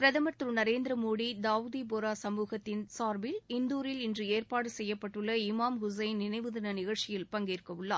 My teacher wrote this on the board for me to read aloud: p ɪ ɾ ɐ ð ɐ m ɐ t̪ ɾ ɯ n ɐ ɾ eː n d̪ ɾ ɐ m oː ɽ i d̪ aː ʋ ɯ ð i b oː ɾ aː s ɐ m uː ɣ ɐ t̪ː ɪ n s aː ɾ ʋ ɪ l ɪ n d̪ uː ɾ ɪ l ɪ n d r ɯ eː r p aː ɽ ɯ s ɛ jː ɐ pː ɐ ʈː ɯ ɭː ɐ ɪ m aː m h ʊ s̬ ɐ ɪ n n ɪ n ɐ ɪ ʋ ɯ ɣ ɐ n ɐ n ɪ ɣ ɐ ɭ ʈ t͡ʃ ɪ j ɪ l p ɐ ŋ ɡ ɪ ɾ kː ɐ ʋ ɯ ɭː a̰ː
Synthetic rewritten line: p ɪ ɾ ɐ ð ɐ m ɐ t̪ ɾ ɯ n ɐ ɾ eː n d̪ ɾ ɐ m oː ɽ i d̪ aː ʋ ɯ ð i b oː ɾ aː s ɐ m uː ɣ ɐ t̪ː ɪ n s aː ɾ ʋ ɪ l ɪ n d̪ uː ɾ ɪ l ɪ n d r ɯ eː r p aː ɽ ɯ s ɛ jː ɐ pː ɐ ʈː ɯ ɭː ɐ ɪ m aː m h ʊ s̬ ɐ ɪ n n ɪ n ɐ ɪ ʋ ɯ ð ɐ n ɐ n ɪ ɣ ɐ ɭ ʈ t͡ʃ ɪ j ɪ l p ɐ ŋ ɡ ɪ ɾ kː ɐ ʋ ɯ ɭː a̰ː